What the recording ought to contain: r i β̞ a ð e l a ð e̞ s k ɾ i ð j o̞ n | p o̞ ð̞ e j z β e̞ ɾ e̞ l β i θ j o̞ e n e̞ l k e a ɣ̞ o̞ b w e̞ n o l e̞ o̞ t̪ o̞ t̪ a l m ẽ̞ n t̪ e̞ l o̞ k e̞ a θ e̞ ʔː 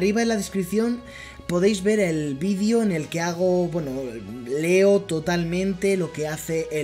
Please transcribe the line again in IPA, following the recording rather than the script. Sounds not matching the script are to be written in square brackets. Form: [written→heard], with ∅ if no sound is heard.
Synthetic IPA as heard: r i β̞ a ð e l a ð e̞ s k ɾ i [ð→θ] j o̞ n | p o̞ ð̞ e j z β e̞ ɾ e̞ l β i [θ→ð] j o̞ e n e̞ l k e a ɣ̞ o̞ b w e̞ n o l e̞ o̞ t̪ o̞ t̪ a l m ẽ̞ n t̪ e̞ l o̞ k e̞ a θ e̞ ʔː

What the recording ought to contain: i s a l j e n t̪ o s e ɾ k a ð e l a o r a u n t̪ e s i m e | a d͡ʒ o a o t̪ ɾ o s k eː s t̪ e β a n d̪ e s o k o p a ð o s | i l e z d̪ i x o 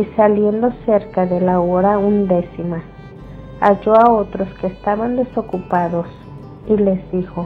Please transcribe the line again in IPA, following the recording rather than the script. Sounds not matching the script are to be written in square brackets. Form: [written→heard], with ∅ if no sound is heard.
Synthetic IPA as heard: i s a l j e n [t̪→d̪] o s e ɾ k a ð e l a o [r→ɾ] a u n [t̪→d̪] e s i m [e→a] | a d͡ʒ o a o t̪ ɾ o s k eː s t̪ [e→a] β a n d̪ e s o k [o→u] p a ð o s | i l e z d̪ i x o

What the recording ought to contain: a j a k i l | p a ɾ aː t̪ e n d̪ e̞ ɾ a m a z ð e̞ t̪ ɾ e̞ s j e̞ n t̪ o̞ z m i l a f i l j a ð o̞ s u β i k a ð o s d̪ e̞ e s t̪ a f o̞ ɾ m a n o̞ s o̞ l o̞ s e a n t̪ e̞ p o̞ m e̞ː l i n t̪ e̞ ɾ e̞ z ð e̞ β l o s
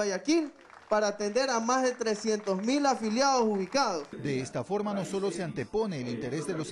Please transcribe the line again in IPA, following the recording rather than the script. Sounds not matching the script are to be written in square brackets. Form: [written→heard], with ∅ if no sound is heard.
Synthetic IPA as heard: a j a k i l | p a ɾ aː t̪ e n d̪ e̞ ɾ a m a z ð e̞ t̪ ɾ e̞ s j e̞ n t̪ o̞ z m i l a f i l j a ð o̞ s u β i k a ð o s d̪ e̞ e s t̪ a f o̞ ɾ m a n o̞ s o̞ l o̞ s e a n t̪ e̞ p o̞ [m→n] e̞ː l i n t̪ e̞ ɾ e̞ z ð e̞ [β→∅] l o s

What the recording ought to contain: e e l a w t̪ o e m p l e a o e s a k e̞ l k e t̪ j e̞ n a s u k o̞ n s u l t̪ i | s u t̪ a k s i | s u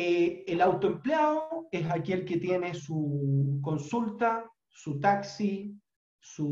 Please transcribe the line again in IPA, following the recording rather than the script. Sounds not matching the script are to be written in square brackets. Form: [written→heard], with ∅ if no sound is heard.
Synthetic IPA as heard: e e l a w t̪ o e m p l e a o e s a k e̞ l k e t̪ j e̞ n [a→e] s u k o̞ n s u l t̪ [i→a] | s u t̪ a k s i | s u

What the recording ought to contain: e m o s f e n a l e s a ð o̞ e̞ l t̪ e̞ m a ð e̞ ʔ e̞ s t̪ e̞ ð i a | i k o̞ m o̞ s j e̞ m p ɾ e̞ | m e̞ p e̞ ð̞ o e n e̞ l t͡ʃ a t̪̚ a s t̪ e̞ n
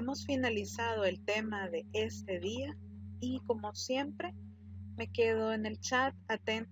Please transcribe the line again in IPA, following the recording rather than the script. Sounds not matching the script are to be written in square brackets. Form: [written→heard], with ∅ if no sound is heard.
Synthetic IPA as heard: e m o s f [e→i] n a l [e→i] s a ð o̞ e̞ l t̪ e̞ m a ð e̞ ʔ e̞ s t̪ e̞ ð i a | i k o̞ m o̞ s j e̞ m p ɾ e̞ | m e̞ [p→k] e̞ ð̞ o e n e̞ l t͡ʃ a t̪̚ a [s→∅] t̪ e̞ n

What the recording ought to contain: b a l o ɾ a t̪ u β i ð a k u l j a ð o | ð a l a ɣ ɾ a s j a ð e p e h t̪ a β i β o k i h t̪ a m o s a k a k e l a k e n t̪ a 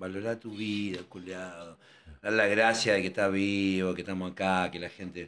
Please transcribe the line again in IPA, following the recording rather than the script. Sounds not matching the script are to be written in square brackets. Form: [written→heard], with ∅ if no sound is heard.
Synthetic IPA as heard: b a l o ɾ a t̪ u β i ð a k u l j a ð o | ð a l a ɣ ɾ a s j a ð e [p→k] e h t̪ a β i β o k [i→e] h t̪ a m o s a k a k e l a [k→x] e n t̪ [a→e]

